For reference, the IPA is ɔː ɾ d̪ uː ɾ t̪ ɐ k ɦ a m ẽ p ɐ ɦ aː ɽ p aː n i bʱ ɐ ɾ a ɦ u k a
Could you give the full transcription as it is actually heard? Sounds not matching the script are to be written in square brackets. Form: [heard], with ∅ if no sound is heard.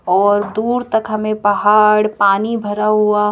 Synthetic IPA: ɔː ɾ d̪ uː ɾ t̪ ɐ k ɦ [ɐ] m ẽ p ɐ ɦ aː ɽ p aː n i bʱ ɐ ɾ a ɦ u [∅] a